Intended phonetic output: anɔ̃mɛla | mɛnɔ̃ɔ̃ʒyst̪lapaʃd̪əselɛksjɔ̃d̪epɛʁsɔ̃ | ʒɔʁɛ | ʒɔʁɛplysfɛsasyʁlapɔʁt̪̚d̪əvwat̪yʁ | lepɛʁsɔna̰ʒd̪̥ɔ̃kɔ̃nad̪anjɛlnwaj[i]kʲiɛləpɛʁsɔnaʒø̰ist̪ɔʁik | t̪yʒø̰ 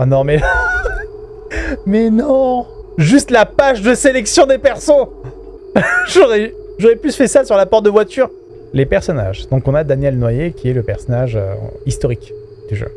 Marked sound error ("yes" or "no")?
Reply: yes